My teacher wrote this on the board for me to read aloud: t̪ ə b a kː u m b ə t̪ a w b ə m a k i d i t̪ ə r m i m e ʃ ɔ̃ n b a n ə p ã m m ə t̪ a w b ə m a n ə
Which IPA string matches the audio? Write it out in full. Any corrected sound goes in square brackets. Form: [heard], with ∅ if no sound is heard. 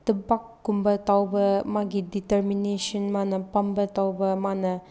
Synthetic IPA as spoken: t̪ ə b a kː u m b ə t̪ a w b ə m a [ɡ] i d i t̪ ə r m i [n] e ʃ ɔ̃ n [m] a n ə p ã m [b] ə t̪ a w b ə m a n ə